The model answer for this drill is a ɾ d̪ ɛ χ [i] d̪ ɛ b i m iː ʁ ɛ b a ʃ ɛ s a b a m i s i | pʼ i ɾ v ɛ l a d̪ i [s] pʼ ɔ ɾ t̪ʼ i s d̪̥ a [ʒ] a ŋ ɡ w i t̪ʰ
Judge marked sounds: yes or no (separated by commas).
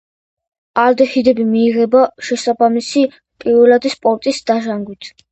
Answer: yes, yes, yes